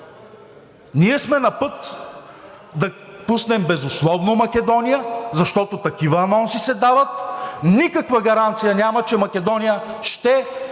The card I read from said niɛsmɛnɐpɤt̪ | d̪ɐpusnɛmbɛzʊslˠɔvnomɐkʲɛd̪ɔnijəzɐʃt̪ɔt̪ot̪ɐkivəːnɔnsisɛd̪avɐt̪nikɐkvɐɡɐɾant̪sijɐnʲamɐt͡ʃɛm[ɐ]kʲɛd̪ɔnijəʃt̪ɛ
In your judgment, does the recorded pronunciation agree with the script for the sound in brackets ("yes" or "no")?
yes